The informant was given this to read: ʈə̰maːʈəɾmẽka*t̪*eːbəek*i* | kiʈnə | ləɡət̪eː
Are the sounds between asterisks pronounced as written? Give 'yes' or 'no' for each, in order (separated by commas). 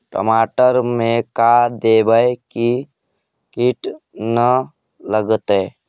no, yes